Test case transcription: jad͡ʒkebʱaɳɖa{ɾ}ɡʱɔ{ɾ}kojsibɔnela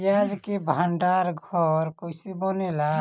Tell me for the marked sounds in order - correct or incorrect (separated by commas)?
correct, correct